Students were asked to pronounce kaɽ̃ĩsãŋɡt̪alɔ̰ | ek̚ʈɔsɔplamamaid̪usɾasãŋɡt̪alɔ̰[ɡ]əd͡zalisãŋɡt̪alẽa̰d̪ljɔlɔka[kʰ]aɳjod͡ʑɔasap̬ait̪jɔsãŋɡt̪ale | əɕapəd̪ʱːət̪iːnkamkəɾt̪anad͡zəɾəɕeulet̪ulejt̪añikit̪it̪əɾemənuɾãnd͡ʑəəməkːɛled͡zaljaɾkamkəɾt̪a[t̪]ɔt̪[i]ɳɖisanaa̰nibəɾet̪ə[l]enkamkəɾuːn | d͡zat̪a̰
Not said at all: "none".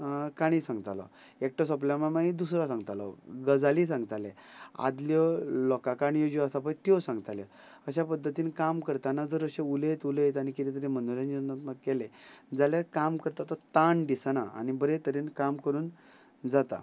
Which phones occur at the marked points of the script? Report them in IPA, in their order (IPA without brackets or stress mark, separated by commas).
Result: ɡ, k, t̪, a, ɾ